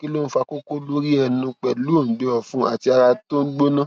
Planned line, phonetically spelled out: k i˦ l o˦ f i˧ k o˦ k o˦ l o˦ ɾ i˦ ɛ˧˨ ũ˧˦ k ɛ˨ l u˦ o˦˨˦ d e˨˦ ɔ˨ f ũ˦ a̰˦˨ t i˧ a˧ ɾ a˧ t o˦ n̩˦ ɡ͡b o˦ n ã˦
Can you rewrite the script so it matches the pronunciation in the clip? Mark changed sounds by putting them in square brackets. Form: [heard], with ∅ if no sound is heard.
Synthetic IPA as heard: k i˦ l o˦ f [a˧] k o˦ k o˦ l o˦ ɾ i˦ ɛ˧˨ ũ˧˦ [k͡p] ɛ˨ l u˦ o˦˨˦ d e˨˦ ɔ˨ f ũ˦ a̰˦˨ t i˧ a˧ ɾ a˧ t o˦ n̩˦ ɡ͡b o˦ n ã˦